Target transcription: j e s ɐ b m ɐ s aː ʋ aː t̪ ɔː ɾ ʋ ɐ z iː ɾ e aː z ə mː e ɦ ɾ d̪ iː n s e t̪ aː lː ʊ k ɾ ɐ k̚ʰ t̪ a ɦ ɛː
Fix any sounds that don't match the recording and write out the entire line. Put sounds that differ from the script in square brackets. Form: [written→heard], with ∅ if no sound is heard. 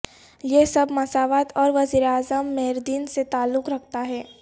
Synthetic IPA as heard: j e s ɐ b m ɐ s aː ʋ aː t̪ ɔː ɾ ʋ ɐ z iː ɾ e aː z ə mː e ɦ ɾ d̪ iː n s e t̪ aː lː ʊ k ɾ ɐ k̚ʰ t̪ a ɦ ɛː